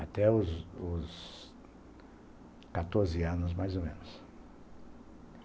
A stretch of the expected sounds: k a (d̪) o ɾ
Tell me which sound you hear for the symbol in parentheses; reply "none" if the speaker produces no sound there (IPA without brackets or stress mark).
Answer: t̪